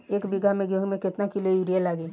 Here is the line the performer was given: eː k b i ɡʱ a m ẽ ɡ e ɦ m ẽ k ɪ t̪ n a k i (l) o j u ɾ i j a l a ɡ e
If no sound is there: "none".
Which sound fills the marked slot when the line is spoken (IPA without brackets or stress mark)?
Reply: l